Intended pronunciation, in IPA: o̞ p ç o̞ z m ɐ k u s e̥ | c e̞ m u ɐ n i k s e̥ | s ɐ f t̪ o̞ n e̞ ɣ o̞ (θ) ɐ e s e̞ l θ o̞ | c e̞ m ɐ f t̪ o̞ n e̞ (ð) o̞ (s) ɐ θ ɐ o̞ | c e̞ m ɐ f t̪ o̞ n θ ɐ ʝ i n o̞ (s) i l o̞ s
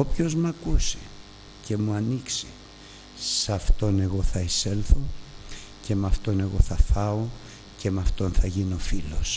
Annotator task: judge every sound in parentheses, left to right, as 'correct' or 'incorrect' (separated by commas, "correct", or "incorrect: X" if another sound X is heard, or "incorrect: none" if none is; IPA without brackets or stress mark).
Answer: correct, incorrect: ɣ, incorrect: θ, incorrect: f